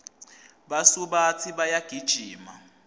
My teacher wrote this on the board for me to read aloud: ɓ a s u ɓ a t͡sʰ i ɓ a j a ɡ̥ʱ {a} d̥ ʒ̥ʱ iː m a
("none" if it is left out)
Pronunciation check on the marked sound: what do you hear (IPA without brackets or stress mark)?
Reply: i